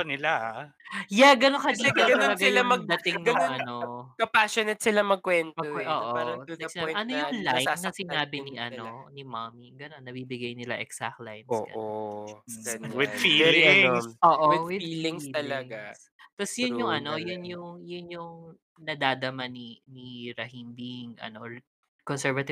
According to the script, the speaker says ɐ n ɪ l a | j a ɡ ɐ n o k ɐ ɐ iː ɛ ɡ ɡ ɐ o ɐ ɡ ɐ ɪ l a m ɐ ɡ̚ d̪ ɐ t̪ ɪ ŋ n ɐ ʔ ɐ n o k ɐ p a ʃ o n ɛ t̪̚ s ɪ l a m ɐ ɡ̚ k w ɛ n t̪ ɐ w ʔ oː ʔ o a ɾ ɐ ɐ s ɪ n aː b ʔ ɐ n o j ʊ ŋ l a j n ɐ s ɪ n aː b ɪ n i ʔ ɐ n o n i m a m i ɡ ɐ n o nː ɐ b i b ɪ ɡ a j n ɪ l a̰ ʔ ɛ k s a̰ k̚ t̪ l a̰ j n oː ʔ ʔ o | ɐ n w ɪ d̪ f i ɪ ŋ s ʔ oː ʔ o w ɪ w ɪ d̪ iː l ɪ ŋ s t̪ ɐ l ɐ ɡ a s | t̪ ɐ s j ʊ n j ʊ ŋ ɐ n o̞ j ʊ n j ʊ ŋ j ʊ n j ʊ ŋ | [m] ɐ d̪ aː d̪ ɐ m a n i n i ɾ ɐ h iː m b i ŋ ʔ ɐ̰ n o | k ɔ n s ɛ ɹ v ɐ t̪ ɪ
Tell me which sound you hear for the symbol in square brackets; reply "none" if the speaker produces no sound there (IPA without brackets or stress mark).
n